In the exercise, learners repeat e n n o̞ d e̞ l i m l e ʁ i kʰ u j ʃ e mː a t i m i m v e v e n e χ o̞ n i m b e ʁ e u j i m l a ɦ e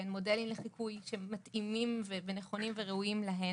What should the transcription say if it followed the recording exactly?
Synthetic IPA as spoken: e n m o̞ d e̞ l i m l e χ i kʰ u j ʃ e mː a t i m i m v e v e n e χ o̞ n i m v e ʁ e u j i m l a ɦ e